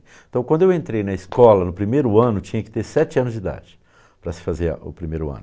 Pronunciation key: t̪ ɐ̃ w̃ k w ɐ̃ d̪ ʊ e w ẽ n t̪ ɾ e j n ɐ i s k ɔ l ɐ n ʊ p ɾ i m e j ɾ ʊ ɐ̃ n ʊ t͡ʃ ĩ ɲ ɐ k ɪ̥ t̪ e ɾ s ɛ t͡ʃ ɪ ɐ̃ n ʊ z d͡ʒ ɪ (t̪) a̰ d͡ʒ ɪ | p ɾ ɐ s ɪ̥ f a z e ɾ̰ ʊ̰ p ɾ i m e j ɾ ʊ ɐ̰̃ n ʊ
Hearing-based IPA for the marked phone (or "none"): d̪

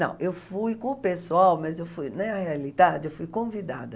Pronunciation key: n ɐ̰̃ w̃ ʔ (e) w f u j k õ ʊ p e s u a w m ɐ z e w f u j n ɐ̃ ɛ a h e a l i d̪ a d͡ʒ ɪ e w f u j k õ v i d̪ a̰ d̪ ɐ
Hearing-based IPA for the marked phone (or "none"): e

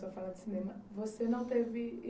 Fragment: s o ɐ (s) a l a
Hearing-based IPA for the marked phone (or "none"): f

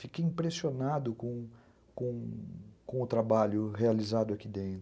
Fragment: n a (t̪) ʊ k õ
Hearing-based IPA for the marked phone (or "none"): d̪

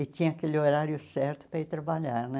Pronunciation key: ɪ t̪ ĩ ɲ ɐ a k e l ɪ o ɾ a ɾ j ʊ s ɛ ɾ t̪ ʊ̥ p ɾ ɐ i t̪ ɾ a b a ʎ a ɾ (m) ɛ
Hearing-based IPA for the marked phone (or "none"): n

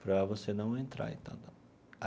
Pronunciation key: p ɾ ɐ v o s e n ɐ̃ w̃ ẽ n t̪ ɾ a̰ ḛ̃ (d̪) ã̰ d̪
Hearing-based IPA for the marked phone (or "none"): t̪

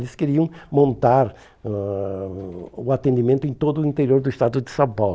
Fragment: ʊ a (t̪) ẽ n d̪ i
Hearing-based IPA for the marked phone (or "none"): t̪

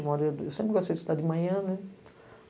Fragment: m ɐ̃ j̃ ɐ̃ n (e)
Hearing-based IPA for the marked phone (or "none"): ɛ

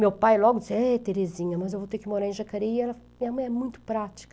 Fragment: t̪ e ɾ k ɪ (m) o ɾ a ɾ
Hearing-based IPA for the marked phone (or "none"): m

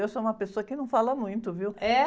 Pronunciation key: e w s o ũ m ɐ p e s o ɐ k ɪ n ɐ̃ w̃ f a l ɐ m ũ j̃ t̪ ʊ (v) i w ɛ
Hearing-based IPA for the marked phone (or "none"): v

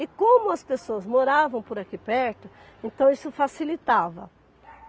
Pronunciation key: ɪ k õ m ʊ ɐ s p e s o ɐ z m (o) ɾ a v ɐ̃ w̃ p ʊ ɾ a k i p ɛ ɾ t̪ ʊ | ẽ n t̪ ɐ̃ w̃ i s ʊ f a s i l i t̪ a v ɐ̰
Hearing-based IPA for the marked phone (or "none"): o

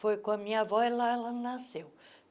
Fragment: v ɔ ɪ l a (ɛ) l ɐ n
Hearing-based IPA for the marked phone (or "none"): ɛ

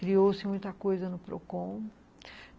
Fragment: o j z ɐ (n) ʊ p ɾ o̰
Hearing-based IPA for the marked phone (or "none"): n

